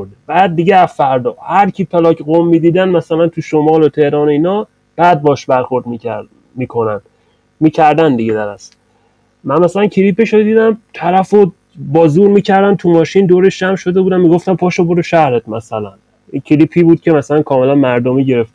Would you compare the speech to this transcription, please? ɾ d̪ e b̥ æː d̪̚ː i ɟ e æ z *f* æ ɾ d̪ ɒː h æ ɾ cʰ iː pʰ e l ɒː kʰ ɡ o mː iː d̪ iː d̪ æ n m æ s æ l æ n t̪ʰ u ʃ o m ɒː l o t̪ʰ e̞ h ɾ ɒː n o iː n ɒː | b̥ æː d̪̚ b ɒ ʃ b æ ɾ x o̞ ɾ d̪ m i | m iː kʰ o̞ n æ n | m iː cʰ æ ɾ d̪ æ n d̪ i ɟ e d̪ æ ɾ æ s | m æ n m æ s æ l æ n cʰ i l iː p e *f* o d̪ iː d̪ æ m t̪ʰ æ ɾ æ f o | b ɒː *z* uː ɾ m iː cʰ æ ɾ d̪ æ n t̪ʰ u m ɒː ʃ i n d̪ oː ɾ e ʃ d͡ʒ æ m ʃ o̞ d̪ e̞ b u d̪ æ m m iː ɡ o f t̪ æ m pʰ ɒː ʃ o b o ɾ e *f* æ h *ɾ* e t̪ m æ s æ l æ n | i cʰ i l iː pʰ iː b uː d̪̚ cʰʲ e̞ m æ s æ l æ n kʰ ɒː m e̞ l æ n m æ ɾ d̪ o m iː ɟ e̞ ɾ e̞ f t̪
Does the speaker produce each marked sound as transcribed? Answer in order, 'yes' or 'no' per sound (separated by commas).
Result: yes, no, yes, no, yes